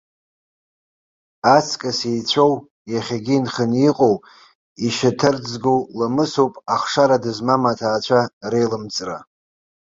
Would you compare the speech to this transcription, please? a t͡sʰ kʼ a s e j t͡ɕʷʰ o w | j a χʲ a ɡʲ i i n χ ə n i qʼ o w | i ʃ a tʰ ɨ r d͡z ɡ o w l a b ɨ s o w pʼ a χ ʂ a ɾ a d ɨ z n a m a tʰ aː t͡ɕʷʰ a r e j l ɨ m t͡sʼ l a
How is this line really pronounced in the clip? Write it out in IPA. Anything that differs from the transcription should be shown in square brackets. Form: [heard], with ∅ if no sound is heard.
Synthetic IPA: a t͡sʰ kʼ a s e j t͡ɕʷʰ o w | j a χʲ a ɡʲ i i n χ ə n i qʼ o w | i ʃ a tʰ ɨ r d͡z ɡ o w l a [m] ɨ s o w pʼ a χ ʂ a ɾ a d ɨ z [m] a m a tʰ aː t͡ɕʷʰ a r e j l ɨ m t͡sʼ [r] a